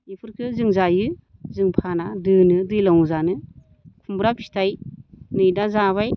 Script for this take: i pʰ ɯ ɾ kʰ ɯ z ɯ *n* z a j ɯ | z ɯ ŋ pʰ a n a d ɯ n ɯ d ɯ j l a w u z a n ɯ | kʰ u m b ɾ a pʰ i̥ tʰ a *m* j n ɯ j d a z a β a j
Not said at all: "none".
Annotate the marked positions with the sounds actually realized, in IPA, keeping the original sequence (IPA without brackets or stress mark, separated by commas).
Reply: ŋ, none